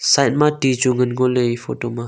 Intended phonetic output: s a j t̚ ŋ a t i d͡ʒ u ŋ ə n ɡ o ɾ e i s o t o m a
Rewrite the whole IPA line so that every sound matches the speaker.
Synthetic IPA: s a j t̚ m a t i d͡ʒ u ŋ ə n ɡ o l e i f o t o m a